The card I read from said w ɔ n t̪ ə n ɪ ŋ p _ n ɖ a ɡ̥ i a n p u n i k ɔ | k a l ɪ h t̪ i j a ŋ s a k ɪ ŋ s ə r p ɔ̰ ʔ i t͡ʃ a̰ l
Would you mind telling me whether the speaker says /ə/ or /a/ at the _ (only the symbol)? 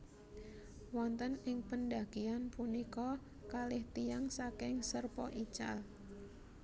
ə